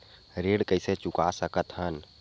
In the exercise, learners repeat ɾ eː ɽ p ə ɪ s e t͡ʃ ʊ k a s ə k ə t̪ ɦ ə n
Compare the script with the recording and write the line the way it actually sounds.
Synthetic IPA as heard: ɾ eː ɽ k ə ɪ s e t͡ʃ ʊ k a s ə k ə t̪ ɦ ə n